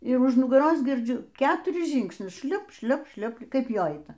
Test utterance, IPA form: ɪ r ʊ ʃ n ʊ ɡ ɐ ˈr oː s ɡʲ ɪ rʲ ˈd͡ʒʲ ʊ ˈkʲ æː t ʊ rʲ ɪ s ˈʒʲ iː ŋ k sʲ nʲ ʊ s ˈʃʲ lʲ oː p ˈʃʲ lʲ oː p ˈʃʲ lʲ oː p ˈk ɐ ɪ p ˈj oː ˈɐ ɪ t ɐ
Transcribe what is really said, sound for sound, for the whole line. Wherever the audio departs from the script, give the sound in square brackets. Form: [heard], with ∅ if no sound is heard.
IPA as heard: ɪ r ʊ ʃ n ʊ ɡ ɐ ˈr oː s ɡʲ ɪ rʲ ˈd͡ʒʲ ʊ ˈkʲ æː t ʊ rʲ ɪ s ˈʒʲ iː ŋ k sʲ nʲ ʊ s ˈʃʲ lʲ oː p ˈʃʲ lʲ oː p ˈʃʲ lʲ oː p ˈk ɐ ɪ p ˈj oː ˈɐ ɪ t ɐ